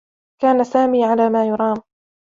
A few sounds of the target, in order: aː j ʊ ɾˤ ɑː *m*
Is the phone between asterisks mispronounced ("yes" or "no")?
no